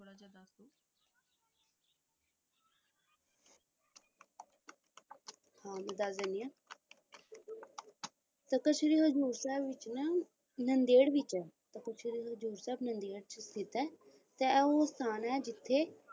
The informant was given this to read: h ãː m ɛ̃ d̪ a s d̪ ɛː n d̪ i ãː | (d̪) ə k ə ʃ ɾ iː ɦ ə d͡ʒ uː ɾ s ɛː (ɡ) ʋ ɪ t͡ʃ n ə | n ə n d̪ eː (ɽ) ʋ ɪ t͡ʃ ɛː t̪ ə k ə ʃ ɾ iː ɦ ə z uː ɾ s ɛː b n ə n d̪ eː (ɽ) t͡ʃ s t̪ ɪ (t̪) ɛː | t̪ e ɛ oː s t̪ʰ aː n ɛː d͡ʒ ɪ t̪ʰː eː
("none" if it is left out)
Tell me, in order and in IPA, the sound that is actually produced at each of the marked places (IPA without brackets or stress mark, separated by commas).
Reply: t̪, b, ɽ, ɽ, t̪